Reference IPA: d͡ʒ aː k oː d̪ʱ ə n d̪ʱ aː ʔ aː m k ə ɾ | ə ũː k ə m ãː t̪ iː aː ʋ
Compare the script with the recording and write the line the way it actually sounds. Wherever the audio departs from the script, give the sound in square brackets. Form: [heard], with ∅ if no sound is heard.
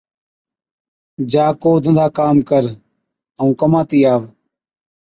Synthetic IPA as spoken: d͡ʒ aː k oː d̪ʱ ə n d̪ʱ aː [k] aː m k ə ɾ | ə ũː k ə m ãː t̪ iː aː ʋ